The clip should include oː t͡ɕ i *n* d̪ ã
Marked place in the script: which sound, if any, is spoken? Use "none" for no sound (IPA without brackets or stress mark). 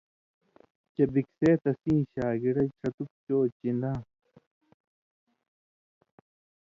n